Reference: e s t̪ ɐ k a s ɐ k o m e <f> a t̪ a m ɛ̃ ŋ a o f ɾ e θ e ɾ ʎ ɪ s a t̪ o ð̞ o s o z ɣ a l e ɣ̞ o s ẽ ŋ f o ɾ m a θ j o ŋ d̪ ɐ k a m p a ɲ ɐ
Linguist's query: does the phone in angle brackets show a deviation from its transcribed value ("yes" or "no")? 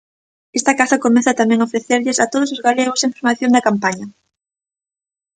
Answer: yes